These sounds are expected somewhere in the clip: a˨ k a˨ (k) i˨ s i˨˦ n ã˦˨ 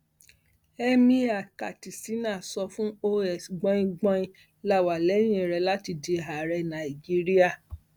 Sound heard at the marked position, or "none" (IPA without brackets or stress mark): t